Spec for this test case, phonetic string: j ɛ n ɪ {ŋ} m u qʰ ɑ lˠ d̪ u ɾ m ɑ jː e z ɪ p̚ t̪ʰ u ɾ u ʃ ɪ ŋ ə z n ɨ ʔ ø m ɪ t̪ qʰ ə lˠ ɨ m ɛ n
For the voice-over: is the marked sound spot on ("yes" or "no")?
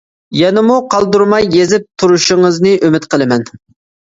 no